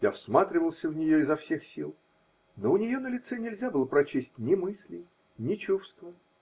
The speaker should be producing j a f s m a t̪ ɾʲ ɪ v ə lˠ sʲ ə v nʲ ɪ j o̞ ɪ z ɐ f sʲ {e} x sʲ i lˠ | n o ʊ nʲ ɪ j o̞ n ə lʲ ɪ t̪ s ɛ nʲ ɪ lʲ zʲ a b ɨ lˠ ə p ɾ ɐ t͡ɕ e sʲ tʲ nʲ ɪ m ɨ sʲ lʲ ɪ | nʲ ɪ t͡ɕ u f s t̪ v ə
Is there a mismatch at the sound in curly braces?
no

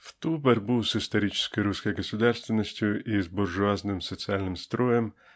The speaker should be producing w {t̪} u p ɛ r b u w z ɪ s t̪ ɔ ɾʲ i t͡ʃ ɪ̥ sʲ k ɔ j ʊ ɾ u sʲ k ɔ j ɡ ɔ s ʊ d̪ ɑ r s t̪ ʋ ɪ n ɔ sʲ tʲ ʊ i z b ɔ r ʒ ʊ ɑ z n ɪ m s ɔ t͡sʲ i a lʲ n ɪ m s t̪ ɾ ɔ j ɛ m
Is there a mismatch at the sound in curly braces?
no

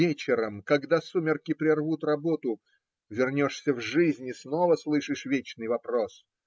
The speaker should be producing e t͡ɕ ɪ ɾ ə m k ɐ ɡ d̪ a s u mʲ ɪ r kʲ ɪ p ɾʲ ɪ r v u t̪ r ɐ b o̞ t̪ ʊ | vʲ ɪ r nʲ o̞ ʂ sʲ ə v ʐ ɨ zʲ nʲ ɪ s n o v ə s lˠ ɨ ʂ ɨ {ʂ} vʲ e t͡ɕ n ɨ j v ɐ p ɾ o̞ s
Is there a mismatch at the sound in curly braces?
no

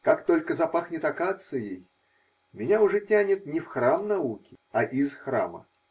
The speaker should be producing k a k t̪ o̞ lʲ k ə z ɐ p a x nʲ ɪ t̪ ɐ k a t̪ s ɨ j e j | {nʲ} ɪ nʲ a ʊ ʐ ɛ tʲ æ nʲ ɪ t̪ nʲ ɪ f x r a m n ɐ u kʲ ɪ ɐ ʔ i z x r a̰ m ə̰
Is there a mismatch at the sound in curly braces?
yes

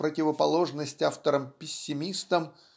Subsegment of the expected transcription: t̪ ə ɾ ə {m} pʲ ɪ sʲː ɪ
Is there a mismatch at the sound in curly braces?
no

